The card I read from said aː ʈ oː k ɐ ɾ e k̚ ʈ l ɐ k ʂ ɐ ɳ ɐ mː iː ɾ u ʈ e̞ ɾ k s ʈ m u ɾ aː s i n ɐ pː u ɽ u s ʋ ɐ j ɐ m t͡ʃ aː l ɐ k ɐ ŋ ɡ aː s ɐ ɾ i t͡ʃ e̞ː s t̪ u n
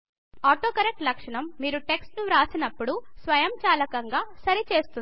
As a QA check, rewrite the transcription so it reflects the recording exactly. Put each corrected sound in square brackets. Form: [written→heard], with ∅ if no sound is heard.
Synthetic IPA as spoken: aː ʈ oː k ɐ ɾ e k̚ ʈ l ɐ k ʂ ɐ ɳ ɐ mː iː ɾ u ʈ e̞ [ɾ→∅] k s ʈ [m→n] u ɾ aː s i n ɐ pː u ɽ u s ʋ ɐ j ɐ m t͡ʃ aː l ɐ k ɐ ŋ ɡ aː s ɐ ɾ i t͡ʃ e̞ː s t̪ u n

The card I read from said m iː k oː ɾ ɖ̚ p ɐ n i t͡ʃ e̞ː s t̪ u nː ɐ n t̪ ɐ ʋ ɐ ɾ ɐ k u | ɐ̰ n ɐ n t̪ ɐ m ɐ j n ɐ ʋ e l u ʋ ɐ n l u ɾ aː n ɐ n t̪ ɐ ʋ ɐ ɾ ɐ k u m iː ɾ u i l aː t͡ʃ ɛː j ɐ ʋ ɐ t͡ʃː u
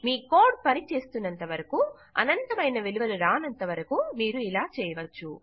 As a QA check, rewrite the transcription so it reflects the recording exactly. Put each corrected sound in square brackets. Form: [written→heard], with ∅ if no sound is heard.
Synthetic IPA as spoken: m iː k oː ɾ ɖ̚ p ɐ n i t͡ʃ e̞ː s t̪ u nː ɐ n t̪ ɐ ʋ ɐ ɾ ɐ k u | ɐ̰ n ɐ n t̪ ɐ m ɐ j n ɐ ʋ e l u ʋ ɐ [n→∅] l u ɾ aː n ɐ n t̪ ɐ ʋ ɐ ɾ ɐ k u m iː ɾ u i l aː t͡ʃ ɛː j ɐ ʋ ɐ t͡ʃː u

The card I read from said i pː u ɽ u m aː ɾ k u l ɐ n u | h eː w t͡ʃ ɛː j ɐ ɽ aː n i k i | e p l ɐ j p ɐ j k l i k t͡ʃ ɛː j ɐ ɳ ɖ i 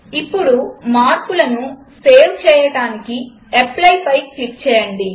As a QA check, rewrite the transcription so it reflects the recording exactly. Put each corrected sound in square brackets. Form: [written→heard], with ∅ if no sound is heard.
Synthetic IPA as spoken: i pː u ɽ u m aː ɾ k u l ɐ n u | [h→s] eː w t͡ʃ ɛː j ɐ ɽ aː n i k i | e p l ɐ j p ɐ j k l i k t͡ʃ ɛː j ɐ ɳ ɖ i

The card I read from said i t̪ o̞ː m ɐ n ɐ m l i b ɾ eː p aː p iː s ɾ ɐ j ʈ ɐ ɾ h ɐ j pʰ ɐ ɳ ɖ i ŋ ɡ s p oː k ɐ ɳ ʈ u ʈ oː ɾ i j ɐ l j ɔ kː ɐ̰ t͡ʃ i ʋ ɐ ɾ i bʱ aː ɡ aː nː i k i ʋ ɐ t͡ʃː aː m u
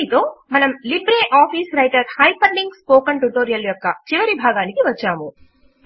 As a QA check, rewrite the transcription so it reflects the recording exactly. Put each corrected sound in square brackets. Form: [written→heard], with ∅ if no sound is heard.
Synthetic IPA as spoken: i t̪ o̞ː m ɐ n ɐ m l i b ɾ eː [p→ʔ] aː p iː s ɾ ɐ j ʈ ɐ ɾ h ɐ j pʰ ɐ ɳ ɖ i ŋ ɡ s p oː k ɐ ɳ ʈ u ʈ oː ɾ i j ɐ l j ɔ kː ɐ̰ t͡ʃ i ʋ ɐ ɾ i bʱ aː ɡ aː [nː→n] i k i ʋ ɐ t͡ʃː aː m u

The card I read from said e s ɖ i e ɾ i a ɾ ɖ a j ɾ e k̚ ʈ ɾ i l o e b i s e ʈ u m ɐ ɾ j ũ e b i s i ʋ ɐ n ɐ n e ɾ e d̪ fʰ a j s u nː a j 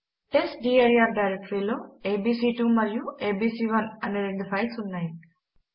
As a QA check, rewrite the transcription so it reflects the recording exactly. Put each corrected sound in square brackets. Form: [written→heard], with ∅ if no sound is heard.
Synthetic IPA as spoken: e s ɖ i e ɾ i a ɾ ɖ a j ɾ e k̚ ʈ ɾ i l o e b i s [e→i] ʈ u m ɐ ɾ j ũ e b i s i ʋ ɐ n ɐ n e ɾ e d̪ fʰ a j s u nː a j

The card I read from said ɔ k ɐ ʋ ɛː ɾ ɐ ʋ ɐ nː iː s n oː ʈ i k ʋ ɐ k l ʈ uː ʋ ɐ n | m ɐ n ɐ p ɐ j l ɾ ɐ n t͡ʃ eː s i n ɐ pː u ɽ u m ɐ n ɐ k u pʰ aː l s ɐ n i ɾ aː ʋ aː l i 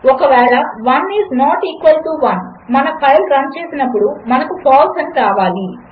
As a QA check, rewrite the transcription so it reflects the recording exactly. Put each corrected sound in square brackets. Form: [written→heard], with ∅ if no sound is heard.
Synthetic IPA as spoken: ɔ k ɐ ʋ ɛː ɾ ɐ ʋ ɐ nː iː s n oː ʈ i k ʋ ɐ [k→∅] l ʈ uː ʋ ɐ n | m ɐ n ɐ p ɐ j l ɾ ɐ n t͡ʃ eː s i n ɐ pː u ɽ u m ɐ n ɐ k u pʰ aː l s ɐ n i ɾ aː ʋ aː l i

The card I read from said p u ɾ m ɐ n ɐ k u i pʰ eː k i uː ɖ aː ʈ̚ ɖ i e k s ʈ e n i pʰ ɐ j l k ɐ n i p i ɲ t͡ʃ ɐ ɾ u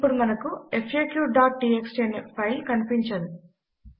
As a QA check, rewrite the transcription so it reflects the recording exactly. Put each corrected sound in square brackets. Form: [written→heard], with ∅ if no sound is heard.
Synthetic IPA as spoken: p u ɾ m ɐ n ɐ k u [i→e] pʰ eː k [i→j] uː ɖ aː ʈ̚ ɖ i e k s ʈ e n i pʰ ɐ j l k ɐ n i p i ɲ t͡ʃ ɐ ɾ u

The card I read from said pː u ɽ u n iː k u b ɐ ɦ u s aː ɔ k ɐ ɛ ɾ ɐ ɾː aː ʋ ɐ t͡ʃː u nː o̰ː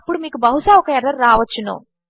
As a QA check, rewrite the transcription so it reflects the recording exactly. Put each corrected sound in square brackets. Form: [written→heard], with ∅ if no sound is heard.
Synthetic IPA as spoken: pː u ɽ u [n→m] iː k u b ɐ ɦ u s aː ɔ k ɐ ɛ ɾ ɐ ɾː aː ʋ ɐ t͡ʃː u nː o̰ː

